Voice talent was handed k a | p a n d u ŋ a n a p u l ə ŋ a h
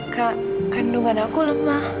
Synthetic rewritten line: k a | k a n d u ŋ a n a k u l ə m a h